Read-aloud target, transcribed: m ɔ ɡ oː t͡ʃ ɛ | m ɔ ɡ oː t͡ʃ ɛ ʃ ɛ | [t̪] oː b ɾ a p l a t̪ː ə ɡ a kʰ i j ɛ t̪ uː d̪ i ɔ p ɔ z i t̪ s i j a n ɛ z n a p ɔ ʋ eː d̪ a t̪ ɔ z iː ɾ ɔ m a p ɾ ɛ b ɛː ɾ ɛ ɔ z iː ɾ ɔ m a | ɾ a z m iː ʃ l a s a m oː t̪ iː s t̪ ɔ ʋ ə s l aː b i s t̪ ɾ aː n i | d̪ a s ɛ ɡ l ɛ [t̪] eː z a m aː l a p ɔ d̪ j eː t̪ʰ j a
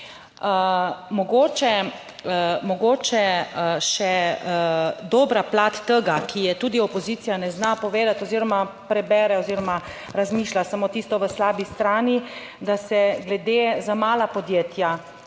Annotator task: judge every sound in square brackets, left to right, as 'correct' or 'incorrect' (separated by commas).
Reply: incorrect, incorrect